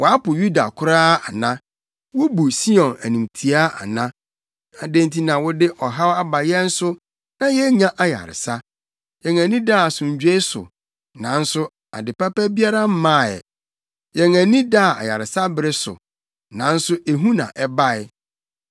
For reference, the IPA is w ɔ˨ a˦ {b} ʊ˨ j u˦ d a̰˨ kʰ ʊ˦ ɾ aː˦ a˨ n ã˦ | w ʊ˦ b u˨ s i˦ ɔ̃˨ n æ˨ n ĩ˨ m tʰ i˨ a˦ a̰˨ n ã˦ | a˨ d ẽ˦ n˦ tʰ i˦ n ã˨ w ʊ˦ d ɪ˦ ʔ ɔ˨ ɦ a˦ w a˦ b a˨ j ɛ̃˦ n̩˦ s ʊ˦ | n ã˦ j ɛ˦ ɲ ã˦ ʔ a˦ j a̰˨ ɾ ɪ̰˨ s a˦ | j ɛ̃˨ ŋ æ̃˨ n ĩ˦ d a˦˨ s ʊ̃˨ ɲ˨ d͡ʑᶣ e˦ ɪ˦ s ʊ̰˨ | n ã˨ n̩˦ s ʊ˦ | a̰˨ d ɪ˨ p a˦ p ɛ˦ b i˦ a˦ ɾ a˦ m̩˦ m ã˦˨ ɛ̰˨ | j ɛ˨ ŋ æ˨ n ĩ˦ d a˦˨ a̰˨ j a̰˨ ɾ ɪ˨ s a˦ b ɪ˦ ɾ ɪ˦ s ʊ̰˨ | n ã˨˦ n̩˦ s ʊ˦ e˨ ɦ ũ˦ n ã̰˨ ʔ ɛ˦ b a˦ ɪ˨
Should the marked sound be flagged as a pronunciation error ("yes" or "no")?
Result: yes